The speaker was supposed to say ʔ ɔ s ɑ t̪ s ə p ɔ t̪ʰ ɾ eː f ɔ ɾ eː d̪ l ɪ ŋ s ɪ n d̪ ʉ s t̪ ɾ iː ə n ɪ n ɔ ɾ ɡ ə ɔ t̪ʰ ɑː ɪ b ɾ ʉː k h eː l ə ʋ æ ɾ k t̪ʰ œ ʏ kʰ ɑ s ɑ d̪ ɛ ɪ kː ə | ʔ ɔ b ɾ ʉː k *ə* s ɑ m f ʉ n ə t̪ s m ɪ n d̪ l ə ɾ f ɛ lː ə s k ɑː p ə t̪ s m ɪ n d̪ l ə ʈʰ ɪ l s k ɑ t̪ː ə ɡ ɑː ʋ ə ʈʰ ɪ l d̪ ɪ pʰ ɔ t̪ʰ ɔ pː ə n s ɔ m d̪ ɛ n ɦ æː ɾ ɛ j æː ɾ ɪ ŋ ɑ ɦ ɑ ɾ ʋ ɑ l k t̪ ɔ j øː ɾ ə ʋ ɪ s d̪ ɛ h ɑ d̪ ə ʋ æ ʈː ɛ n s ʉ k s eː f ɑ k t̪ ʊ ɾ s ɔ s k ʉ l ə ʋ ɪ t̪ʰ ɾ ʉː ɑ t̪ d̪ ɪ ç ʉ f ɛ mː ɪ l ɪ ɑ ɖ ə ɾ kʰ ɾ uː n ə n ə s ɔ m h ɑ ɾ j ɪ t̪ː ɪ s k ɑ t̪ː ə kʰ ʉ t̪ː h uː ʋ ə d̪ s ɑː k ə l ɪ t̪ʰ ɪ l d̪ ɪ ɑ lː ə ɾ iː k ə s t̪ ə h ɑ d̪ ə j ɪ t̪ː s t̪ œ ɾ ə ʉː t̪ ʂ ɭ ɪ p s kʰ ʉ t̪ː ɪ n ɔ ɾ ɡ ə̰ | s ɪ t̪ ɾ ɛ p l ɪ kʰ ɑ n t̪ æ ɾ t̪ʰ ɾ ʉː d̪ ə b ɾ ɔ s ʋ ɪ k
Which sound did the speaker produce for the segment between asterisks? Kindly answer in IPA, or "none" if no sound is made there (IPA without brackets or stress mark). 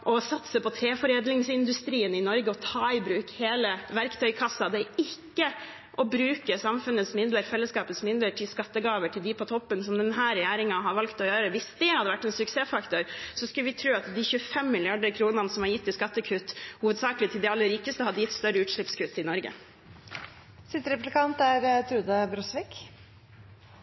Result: ə